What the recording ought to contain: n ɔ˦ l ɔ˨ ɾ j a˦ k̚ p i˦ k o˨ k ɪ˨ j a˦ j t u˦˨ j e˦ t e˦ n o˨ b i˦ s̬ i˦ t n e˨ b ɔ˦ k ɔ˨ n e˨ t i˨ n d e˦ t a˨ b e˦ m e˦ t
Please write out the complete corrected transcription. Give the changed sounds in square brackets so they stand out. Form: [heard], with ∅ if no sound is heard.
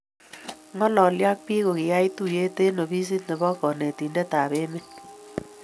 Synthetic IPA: [ŋ] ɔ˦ l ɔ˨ [l] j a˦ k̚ p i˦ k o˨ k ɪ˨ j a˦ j t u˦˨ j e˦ t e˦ n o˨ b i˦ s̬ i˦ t n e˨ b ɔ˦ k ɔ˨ n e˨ t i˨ n d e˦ t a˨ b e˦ m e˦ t